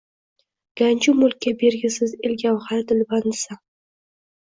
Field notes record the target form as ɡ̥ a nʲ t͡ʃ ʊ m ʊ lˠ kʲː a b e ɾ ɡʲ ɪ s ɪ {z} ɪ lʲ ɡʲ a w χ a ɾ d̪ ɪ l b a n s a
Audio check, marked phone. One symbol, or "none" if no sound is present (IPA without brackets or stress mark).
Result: z